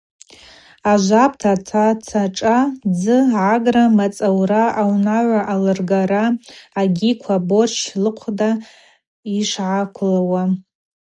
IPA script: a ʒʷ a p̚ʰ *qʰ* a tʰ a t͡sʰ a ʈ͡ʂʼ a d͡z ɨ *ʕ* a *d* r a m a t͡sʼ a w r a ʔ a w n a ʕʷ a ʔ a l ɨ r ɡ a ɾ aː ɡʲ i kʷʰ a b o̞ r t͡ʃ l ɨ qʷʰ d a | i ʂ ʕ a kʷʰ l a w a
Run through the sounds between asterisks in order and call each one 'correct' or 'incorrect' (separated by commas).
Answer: incorrect, correct, incorrect